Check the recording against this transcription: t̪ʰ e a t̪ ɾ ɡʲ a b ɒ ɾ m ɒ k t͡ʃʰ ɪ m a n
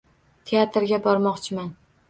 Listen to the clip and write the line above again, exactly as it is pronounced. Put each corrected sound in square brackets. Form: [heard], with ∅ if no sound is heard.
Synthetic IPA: t̪ʰ e a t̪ ɾ ɡʲ a b ɒ ɾ m ɒ [q] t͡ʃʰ ɪ m a n

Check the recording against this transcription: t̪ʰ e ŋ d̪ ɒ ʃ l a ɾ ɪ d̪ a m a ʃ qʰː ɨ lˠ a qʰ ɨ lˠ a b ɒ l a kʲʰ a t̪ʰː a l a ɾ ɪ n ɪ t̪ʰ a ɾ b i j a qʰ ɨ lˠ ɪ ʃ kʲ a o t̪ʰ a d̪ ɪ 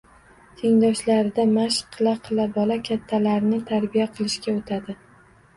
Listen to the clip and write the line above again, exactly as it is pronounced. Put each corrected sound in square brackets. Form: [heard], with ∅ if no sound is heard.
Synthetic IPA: t̪ʰ e ŋ d̪ ɒ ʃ l a ɾ ɪ d̪ a m a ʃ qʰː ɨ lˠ a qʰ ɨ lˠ a b ɒ l a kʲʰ a t̪ʰː a l a ɾ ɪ n ɪ t̪ʰ a ɾ b i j a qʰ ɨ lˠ ɪ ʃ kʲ a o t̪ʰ a d̪ ɪ

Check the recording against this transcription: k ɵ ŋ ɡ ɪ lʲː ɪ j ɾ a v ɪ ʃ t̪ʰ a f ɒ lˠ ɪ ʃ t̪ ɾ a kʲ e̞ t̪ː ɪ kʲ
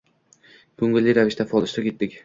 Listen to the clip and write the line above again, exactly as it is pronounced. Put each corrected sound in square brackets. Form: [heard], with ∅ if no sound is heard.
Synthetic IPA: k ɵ ŋ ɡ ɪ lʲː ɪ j ɾ a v ɪ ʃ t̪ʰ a f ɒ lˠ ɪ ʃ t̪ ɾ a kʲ e̞ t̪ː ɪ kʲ

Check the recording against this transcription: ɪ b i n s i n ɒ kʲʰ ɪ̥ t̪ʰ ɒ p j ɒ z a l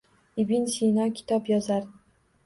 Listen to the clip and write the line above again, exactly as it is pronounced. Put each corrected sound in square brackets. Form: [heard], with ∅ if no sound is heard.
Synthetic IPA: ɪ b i n s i n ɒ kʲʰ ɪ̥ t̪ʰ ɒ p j ɒ z a [ɾ]

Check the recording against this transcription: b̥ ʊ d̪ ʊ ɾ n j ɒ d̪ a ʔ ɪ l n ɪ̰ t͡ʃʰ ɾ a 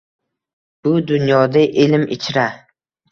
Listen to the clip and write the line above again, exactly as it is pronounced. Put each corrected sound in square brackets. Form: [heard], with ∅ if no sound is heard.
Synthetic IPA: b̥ ʊ d̪ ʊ [∅] n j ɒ d̪ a ʔ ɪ l [m] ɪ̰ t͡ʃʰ ɾ a

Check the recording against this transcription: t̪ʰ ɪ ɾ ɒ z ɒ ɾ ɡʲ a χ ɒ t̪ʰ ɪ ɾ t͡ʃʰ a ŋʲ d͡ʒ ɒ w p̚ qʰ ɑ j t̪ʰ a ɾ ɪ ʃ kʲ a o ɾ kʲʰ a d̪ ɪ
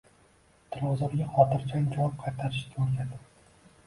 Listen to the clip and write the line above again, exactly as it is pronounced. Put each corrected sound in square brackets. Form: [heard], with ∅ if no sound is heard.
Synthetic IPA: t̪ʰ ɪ ɾ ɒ z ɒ ɾ ɡʲ a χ ɒ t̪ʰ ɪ ɾ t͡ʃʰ a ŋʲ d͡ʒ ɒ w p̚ qʰ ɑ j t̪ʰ a ɾ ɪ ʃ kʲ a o ɾ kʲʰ a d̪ ɪ

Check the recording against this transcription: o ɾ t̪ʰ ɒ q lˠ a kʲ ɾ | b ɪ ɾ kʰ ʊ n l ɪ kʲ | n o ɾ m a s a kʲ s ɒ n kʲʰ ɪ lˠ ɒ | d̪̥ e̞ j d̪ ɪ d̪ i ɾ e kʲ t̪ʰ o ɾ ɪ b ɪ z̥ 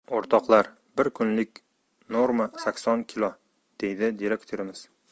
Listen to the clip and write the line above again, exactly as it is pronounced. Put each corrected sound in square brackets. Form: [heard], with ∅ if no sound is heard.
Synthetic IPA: o ɾ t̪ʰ ɒ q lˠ a [∅] ɾ | b ɪ ɾ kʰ ʊ n l ɪ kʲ | n o ɾ m a s a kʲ s ɒ n kʲʰ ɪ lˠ ɒ | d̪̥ e̞ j d̪ ɪ d̪ i ɾ e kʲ t̪ʰ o ɾ ɪ [m] ɪ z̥

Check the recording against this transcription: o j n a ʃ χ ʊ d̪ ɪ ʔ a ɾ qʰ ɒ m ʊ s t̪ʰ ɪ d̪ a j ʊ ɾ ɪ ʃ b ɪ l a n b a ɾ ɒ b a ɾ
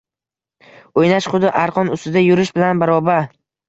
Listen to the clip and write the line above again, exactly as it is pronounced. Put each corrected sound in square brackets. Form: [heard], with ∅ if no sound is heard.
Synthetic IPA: o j n a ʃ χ ʊ d̪ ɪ ʔ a ɾ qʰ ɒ [n] ʊ s [t̪] ɪ d̪ a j ʊ ɾ ɪ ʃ b ɪ l a n b a ɾ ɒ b a ɾ

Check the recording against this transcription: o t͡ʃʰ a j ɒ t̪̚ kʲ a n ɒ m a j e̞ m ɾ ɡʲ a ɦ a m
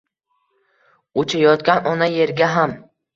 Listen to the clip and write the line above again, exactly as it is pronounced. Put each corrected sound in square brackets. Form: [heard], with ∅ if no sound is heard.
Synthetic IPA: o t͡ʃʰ a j ɒ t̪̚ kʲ a n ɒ [n] a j e̞ [∅] ɾ ɡʲ a ɦ a m

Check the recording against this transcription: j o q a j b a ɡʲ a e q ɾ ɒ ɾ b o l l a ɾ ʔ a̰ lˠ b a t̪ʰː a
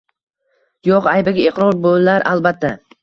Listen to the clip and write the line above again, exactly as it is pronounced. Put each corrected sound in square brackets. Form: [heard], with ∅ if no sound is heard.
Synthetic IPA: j o q a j b a ɡʲ a e q ɾ ɒ ɾ b o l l a ɾ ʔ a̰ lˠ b a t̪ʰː a

